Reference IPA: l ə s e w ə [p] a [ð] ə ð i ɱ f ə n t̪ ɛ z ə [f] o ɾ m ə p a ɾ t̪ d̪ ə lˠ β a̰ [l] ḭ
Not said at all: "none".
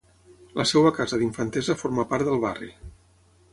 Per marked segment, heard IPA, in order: k, z, f, r

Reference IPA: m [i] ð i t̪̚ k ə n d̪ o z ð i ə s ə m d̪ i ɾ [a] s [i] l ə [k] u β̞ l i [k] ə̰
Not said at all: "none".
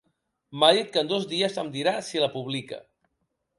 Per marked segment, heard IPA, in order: a, a, i, p, k

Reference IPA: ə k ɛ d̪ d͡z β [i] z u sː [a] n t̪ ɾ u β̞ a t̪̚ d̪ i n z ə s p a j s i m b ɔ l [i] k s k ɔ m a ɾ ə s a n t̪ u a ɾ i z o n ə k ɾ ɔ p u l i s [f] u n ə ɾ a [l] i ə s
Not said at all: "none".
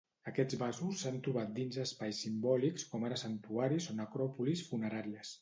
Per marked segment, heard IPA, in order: a, a, i, f, ɾ

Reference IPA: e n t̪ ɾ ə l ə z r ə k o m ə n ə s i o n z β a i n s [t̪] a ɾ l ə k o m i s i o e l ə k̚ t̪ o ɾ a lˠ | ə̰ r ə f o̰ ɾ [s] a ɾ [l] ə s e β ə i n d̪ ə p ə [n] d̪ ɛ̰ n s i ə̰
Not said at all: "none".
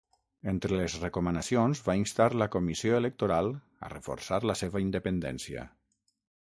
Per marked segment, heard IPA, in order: t̪, s, l, n

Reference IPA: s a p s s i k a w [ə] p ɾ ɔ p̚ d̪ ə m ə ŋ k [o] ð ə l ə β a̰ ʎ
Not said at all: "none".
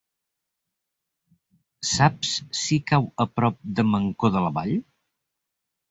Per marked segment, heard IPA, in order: ə, o

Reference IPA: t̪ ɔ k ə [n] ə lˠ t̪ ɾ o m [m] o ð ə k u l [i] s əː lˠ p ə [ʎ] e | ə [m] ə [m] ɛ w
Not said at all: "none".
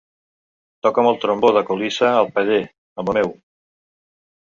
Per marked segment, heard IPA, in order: m, b, i, ʎ, m, m

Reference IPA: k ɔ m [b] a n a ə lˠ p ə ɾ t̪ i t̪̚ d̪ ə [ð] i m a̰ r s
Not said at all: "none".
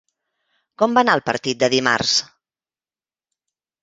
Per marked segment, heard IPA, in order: b, ð

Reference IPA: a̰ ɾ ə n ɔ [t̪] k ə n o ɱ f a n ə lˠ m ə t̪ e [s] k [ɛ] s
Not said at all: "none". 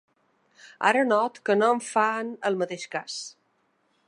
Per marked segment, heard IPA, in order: t̪, ʃ, a

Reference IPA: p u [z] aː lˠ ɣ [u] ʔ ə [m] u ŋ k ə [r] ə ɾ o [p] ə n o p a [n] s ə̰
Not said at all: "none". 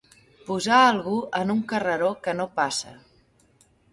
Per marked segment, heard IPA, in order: z, u, n, r, k, none

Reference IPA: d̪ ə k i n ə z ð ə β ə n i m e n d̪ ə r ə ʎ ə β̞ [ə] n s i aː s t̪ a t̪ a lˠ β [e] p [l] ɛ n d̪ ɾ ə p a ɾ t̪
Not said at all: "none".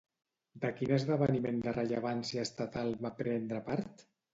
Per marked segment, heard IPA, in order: a, a, ɾ

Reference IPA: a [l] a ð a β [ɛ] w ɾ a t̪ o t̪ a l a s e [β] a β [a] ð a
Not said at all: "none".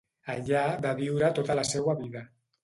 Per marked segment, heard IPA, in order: ʎ, i, w, i

